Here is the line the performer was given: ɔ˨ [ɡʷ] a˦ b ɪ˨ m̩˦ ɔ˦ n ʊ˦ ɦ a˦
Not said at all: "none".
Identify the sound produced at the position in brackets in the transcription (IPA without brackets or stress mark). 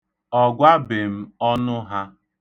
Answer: ɡʷ